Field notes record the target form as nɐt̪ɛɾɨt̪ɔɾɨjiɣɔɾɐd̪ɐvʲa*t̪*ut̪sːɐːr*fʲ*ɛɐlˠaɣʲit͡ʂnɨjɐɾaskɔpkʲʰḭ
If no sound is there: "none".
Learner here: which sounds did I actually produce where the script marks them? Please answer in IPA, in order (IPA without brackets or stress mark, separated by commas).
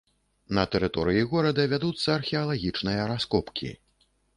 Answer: d̪, xʲ